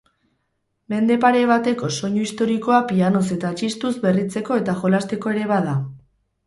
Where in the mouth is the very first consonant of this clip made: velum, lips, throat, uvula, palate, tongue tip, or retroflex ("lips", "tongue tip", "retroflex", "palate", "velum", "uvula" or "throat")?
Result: lips